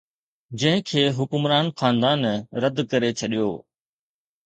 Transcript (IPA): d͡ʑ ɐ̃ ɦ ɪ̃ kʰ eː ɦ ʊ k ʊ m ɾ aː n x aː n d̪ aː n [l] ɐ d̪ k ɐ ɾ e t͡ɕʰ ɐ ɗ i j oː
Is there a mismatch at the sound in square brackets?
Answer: yes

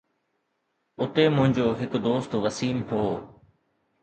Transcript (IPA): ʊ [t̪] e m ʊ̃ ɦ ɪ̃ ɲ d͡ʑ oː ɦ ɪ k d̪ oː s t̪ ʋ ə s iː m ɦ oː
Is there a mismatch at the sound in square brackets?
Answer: no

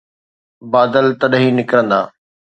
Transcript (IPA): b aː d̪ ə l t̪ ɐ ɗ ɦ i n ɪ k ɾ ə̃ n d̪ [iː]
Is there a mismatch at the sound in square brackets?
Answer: yes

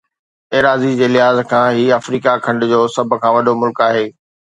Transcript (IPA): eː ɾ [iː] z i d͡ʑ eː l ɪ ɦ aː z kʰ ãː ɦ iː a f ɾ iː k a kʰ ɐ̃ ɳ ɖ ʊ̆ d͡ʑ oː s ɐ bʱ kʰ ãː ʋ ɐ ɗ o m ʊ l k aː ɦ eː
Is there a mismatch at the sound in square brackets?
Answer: yes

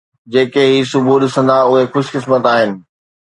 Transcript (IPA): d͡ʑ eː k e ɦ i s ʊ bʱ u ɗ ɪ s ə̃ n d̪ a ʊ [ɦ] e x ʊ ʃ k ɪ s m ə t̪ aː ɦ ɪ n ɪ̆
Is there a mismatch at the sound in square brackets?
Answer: no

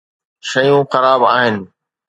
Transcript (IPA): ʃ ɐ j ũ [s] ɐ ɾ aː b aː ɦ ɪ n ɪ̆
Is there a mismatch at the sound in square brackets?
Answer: yes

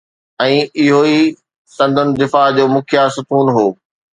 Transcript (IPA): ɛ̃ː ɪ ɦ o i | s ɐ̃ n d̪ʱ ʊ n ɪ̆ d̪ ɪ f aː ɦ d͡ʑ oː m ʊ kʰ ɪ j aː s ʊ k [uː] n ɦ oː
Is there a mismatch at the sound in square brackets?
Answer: no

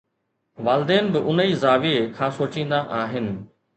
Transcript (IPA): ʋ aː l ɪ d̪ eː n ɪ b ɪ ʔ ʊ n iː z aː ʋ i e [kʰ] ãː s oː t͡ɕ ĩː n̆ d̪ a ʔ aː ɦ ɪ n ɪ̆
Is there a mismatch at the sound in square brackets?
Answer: no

